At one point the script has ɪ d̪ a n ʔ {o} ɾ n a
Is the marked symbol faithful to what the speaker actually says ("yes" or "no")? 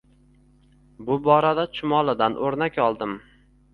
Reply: yes